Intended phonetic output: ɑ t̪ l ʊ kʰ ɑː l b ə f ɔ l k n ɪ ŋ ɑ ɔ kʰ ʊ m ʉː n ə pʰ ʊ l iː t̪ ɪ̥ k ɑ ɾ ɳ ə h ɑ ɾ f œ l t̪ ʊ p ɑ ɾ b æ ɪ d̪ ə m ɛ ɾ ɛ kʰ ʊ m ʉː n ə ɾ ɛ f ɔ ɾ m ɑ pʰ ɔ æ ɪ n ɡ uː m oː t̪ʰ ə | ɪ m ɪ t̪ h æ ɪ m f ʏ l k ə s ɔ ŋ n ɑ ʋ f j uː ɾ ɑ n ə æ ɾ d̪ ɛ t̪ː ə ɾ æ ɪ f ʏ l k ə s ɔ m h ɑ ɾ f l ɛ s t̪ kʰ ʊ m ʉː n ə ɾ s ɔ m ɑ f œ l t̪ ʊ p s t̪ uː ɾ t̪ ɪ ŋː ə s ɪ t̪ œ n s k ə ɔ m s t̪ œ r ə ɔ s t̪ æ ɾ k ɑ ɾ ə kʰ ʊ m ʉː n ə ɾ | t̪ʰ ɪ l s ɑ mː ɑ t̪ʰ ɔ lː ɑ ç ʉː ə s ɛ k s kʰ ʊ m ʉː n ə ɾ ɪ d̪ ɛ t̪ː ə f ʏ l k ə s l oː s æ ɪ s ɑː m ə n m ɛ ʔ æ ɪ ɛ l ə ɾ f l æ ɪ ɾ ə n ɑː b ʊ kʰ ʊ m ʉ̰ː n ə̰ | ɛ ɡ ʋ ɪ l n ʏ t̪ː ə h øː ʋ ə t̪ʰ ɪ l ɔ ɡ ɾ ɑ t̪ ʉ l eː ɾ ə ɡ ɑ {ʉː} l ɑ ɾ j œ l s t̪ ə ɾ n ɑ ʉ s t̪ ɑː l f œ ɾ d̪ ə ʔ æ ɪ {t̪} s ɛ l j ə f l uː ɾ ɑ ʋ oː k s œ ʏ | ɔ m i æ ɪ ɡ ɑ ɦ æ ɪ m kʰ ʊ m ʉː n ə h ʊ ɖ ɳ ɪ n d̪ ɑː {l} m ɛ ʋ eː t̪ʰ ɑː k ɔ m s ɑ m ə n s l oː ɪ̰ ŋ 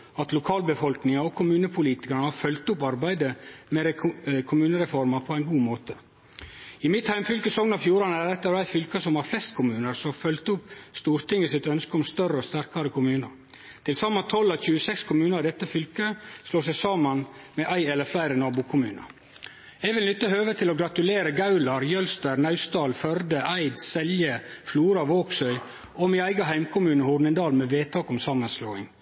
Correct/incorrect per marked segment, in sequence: incorrect: ʉ, incorrect: d̪, correct

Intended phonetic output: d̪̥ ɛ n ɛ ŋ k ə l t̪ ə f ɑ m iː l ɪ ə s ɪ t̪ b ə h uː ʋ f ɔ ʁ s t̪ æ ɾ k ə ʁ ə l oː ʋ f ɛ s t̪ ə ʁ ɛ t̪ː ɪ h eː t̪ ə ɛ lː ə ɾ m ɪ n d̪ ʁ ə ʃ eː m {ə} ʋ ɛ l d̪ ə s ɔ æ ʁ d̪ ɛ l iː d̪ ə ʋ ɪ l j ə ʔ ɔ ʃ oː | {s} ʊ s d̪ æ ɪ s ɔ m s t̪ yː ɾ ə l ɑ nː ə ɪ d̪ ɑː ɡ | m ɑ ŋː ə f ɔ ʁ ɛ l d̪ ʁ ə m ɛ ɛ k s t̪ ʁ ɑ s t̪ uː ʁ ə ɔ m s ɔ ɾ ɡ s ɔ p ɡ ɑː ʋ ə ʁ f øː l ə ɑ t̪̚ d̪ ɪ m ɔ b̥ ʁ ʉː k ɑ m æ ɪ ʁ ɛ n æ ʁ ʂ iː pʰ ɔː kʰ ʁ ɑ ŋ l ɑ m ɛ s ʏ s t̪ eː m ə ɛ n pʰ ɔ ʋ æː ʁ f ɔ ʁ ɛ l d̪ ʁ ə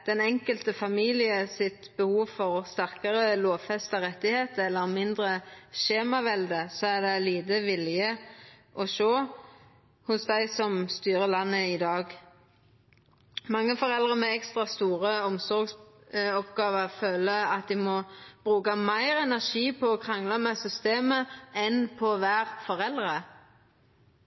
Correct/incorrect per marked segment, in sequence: incorrect: ɑ, incorrect: h

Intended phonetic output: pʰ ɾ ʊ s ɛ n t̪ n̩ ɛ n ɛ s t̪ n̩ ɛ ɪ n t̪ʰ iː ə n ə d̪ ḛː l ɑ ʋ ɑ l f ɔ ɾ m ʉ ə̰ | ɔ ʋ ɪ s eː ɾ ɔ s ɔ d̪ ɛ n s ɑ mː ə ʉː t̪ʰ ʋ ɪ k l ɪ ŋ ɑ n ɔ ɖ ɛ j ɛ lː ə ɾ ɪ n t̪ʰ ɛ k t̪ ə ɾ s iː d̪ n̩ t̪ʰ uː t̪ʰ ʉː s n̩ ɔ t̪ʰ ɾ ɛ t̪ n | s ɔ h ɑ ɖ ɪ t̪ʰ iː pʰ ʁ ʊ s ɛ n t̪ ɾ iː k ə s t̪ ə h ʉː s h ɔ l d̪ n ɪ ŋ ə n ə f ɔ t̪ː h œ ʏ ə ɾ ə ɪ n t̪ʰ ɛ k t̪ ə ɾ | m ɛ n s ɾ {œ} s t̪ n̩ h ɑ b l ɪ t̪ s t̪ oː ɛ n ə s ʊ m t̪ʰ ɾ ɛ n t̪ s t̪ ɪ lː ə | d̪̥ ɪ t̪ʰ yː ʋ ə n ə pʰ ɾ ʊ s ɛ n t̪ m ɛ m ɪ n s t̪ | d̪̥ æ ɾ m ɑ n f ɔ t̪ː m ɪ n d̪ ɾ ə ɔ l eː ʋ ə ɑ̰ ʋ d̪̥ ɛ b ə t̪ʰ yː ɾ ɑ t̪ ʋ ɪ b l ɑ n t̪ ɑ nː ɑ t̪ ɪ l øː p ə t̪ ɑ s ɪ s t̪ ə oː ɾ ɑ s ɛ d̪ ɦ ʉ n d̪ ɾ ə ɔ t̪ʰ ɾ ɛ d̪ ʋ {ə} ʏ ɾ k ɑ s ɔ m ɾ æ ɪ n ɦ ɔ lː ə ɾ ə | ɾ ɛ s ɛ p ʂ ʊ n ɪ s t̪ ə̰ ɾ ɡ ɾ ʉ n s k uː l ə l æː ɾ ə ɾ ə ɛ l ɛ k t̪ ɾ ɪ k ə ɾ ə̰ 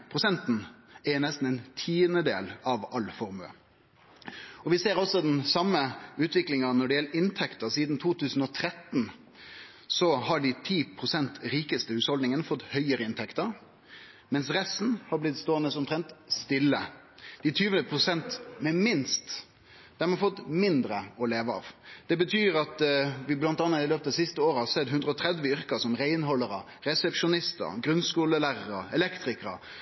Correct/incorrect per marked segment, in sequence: incorrect: ɛ, correct

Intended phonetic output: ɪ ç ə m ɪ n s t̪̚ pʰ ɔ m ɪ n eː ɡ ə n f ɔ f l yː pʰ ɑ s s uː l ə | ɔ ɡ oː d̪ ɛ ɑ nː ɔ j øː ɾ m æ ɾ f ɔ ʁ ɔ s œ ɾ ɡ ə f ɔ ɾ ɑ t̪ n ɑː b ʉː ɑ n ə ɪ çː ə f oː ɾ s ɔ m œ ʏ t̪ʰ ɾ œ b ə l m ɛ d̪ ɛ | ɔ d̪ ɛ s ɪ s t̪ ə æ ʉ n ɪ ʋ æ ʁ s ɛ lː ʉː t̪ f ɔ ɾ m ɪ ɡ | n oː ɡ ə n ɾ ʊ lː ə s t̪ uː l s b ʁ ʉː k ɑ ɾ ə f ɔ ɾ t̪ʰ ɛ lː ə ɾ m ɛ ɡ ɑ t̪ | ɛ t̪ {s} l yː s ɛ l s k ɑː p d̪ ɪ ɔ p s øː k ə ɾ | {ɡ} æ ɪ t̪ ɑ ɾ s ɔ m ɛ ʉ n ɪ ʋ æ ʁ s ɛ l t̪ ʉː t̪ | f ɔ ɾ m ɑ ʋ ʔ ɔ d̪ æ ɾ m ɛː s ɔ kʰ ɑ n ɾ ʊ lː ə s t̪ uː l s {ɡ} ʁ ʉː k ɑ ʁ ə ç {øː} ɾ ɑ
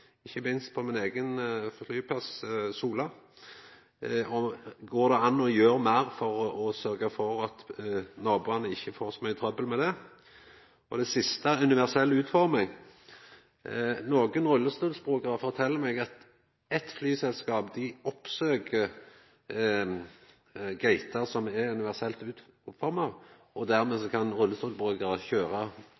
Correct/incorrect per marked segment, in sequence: incorrect: f, correct, incorrect: b, correct

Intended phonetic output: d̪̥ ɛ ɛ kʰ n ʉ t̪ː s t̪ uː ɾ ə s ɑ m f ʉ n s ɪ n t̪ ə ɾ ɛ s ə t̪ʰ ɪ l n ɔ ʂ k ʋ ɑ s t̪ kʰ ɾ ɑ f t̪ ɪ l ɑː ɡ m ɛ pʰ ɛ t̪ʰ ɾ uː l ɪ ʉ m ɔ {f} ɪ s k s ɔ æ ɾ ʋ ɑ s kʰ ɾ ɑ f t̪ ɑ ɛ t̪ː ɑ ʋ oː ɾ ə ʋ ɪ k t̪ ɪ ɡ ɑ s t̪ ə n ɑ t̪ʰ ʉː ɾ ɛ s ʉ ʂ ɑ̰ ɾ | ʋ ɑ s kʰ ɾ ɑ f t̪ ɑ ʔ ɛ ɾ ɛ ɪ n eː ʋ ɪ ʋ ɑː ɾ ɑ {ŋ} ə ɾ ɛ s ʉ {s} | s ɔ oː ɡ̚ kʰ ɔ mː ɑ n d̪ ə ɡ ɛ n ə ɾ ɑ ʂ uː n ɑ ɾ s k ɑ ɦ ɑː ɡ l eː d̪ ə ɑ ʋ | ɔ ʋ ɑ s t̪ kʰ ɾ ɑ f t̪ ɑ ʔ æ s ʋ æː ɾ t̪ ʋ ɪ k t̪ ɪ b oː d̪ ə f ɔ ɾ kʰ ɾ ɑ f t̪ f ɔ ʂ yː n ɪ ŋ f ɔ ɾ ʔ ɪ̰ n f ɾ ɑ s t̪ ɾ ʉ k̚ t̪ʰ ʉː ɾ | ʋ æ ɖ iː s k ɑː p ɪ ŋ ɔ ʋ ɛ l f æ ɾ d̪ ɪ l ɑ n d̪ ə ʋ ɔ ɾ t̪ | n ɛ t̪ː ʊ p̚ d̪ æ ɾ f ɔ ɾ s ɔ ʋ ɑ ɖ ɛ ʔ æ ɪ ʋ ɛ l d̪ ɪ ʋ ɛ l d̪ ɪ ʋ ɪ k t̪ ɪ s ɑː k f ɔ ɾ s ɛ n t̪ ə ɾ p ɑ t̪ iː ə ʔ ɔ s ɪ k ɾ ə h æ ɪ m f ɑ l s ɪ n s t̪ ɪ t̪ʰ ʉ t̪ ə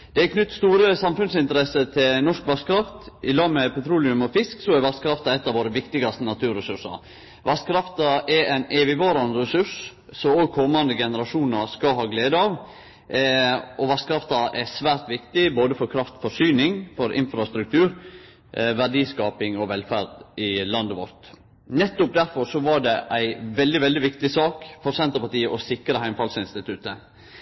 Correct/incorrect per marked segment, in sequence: correct, incorrect: n, incorrect: ʂ

